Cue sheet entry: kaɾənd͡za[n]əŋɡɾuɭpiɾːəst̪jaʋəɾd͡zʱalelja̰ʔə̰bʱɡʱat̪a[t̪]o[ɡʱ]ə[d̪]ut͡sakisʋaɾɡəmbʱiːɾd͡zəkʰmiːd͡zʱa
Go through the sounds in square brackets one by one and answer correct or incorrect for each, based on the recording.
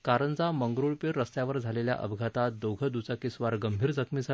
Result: incorrect: m, incorrect: d̪, correct, correct

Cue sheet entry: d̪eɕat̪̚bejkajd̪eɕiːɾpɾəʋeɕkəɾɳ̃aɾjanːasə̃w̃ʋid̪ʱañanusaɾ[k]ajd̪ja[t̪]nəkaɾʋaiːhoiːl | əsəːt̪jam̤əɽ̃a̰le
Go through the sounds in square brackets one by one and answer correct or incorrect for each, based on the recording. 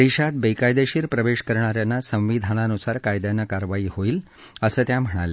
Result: correct, incorrect: none

